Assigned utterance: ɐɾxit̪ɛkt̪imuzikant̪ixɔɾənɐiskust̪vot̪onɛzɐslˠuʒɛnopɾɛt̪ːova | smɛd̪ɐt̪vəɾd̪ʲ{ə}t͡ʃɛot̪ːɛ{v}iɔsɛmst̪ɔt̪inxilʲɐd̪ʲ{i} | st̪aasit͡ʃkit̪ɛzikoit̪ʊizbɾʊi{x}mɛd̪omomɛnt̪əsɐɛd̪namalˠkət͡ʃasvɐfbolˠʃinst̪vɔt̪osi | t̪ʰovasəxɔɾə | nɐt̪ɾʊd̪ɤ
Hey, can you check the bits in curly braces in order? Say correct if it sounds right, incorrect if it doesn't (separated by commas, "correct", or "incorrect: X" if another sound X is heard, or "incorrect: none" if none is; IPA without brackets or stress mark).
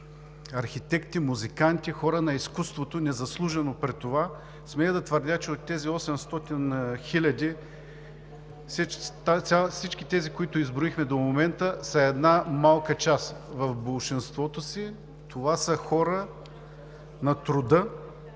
incorrect: a, incorrect: z, correct, correct